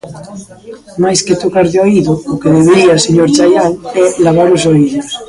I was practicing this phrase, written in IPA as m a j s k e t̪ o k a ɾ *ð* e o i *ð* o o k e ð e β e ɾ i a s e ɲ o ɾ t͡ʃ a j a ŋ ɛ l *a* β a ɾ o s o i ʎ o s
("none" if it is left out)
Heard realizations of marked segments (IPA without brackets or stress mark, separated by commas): ð, ð, a